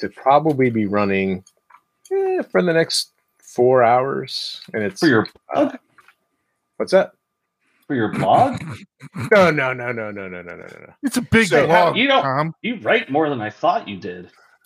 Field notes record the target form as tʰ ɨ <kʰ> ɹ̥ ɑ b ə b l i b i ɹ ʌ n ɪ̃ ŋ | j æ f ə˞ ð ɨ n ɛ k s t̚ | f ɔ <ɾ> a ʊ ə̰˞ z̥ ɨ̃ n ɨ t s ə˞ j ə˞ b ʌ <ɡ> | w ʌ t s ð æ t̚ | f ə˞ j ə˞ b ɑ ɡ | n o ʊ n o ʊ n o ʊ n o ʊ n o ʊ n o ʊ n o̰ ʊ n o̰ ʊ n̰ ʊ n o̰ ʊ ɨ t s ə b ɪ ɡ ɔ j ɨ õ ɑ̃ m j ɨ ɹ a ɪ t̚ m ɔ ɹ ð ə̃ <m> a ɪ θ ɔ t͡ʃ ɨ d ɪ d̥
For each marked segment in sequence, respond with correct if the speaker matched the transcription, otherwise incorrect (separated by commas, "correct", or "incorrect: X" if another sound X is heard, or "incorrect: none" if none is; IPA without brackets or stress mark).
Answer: incorrect: pʰ, incorrect: ɹ, correct, incorrect: n